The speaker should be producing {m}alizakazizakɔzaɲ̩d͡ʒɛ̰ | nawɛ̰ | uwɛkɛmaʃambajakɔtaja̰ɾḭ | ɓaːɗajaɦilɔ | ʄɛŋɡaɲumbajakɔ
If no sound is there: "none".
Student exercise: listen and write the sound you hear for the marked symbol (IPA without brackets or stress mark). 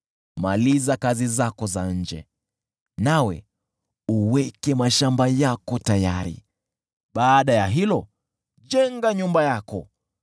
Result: m